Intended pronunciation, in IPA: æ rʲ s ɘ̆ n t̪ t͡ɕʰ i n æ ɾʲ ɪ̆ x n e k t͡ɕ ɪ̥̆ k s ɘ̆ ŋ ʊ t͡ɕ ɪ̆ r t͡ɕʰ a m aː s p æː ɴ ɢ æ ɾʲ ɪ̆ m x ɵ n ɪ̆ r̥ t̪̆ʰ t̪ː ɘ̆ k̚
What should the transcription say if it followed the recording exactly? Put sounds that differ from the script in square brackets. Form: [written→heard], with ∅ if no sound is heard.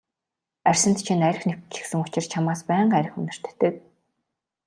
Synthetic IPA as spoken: æ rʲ s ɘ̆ n t̪ t͡ɕʰ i n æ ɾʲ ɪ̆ x n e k t͡ɕ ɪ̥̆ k s ɘ̆ ŋ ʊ t͡ɕ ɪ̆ r t͡ɕʰ a m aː s p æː ɴ ɢ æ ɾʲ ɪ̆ [m→∅] x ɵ n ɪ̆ r̥ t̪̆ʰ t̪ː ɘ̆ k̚